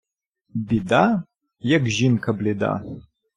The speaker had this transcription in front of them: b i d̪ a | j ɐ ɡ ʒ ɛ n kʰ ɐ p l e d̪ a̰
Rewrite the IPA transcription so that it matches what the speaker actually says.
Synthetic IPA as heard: b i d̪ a | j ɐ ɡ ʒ i n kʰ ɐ b l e d̪ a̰